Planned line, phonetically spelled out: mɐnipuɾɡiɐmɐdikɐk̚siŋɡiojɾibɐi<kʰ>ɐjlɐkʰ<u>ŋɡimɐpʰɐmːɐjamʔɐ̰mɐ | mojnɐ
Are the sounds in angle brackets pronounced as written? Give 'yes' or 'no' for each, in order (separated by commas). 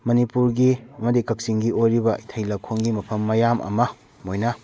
no, no